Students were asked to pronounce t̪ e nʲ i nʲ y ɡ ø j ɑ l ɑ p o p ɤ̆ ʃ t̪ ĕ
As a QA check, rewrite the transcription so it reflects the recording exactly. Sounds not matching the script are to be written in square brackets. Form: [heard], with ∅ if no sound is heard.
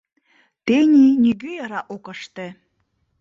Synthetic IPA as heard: t̪ e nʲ i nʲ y ɡ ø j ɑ [ɾ] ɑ [ʔ] o [k] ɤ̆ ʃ t̪ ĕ